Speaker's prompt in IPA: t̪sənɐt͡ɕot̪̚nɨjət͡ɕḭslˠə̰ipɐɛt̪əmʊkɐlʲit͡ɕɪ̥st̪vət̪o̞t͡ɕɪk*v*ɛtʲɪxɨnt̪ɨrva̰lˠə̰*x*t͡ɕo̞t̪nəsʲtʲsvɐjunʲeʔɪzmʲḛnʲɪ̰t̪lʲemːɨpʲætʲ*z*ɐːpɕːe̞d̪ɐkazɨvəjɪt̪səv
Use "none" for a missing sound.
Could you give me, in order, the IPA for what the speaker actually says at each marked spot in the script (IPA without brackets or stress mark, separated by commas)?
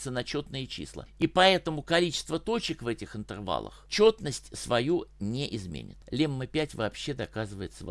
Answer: v, x, v